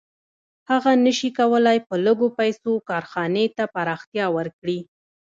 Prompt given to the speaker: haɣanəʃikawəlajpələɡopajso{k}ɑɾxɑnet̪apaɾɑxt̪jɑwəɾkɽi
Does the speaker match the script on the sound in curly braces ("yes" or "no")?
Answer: yes